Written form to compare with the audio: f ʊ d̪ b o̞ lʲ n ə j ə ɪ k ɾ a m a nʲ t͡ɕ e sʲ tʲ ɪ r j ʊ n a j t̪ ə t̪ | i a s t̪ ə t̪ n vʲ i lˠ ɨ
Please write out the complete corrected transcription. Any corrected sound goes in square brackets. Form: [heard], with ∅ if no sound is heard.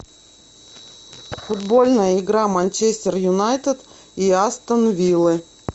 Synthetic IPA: f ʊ d̪ b o̞ lʲ n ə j ə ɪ [ɡ] ɾ a m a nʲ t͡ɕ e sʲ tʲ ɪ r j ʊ n a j t̪ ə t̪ | i a s t̪ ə [∅] n vʲ i lˠ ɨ